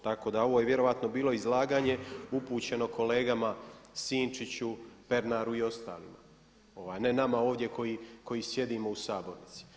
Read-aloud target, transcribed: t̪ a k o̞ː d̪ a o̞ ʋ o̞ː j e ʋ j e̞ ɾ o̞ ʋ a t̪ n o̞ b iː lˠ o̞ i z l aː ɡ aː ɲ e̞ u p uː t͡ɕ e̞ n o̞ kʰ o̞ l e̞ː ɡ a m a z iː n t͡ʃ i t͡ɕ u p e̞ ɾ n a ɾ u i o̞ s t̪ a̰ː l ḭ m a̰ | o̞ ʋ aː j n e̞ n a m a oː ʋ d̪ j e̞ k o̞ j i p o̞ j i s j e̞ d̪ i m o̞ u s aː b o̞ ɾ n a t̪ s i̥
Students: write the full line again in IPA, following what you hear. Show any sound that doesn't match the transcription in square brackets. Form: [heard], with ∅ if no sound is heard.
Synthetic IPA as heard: t̪ a k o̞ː d̪ a o̞ ʋ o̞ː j e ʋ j e̞ ɾ o̞ ʋ a t̪ n o̞ b iː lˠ o̞ i z l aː ɡ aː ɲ e̞ u p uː t͡ɕ e̞ n o̞ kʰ o̞ l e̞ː ɡ a m a [s] iː n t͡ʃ i t͡ɕ u p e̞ ɾ n a ɾ u i o̞ s t̪ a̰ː l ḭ m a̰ | o̞ ʋ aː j n e̞ n a m a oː ʋ d̪ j e̞ k o̞ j i [k] o̞ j i s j e̞ d̪ i m o̞ u s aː b o̞ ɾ n [i] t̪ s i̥